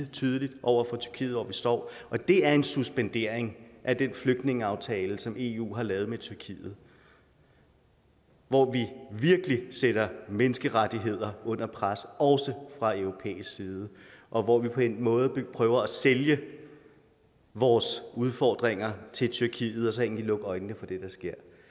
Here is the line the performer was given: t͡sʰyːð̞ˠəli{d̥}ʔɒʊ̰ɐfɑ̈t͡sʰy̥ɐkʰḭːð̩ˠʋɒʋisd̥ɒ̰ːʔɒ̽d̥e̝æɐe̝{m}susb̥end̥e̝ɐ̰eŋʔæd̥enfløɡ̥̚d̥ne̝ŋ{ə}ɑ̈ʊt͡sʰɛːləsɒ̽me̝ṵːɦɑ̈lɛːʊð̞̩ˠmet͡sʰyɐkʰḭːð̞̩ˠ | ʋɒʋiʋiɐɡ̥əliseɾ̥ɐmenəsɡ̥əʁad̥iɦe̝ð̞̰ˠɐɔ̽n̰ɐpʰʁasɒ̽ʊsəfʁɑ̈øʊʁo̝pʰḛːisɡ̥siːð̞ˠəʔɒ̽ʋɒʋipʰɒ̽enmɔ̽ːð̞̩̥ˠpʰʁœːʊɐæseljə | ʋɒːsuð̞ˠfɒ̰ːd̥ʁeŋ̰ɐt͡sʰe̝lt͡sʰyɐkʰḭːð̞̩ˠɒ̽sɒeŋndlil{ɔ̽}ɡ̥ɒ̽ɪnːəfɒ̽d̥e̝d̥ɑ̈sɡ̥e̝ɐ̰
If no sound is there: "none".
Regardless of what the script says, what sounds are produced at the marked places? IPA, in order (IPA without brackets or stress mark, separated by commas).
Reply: d̥, n, ə, ɔ̽